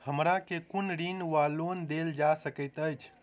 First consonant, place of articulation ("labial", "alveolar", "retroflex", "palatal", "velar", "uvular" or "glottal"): glottal